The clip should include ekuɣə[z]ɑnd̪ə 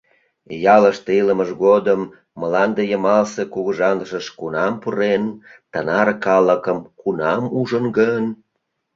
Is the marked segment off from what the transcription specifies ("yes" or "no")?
yes